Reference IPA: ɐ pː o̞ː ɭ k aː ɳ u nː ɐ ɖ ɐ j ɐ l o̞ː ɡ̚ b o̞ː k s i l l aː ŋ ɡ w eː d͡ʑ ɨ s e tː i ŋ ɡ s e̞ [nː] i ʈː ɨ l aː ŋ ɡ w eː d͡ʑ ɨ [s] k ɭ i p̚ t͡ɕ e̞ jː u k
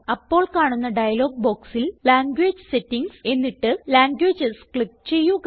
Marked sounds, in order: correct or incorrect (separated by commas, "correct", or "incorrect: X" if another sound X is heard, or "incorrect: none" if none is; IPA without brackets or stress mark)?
correct, correct